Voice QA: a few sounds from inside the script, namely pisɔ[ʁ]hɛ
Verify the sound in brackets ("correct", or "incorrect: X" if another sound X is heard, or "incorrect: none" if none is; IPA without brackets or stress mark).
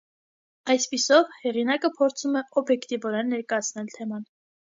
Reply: incorrect: v